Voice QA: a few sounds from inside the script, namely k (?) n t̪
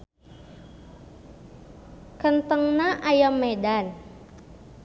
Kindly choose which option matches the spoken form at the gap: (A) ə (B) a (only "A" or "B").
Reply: A